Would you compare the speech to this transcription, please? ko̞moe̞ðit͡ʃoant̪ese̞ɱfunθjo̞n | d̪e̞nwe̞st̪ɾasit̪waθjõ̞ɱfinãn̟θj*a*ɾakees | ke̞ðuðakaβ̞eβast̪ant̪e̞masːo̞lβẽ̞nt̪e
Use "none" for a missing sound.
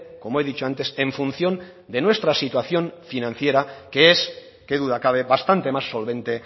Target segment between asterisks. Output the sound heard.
e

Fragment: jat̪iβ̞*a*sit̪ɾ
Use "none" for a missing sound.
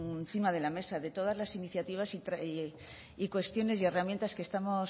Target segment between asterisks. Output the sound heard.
a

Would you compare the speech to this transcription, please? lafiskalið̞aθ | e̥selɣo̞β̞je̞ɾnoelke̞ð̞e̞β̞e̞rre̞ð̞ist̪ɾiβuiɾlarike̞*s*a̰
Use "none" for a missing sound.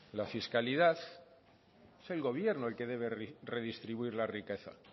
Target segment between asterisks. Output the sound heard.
θ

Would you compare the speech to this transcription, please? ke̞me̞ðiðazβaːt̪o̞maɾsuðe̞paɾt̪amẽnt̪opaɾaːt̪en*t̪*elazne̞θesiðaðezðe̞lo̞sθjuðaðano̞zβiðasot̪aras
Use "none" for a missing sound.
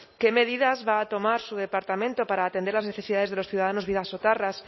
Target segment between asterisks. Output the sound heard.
d̪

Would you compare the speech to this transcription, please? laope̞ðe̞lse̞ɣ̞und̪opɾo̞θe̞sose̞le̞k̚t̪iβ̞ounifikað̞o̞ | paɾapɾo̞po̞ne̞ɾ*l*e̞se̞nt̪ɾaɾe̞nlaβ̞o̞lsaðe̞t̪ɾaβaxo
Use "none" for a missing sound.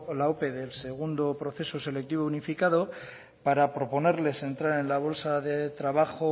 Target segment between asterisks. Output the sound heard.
l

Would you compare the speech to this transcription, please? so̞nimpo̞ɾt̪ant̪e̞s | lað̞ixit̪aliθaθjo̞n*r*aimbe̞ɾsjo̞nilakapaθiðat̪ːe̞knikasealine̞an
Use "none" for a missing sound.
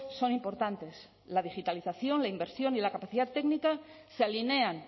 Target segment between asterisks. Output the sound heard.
l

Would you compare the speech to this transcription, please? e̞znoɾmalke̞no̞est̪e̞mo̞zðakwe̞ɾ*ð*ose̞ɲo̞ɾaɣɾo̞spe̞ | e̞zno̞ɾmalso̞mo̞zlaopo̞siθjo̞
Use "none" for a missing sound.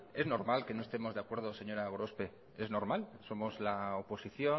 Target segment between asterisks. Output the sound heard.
ð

